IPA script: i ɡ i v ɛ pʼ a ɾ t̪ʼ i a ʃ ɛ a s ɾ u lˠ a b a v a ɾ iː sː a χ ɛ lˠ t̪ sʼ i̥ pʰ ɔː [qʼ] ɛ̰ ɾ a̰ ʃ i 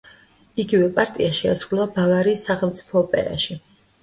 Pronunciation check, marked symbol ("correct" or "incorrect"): incorrect